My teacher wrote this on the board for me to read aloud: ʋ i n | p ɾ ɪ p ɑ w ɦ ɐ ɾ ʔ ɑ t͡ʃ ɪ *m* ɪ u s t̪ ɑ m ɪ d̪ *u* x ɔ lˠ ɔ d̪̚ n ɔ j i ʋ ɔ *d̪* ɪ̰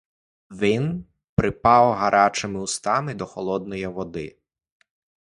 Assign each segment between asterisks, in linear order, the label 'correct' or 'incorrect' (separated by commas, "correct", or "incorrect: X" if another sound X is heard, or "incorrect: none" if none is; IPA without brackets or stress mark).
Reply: correct, incorrect: ɔ, correct